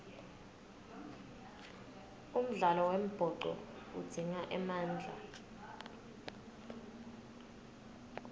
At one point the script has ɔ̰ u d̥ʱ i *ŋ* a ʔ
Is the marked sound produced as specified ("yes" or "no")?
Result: yes